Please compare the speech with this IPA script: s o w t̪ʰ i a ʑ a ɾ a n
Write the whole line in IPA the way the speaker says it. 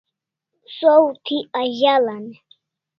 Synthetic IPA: s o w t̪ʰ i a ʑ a l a n